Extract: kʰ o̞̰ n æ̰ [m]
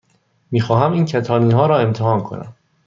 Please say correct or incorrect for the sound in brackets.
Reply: correct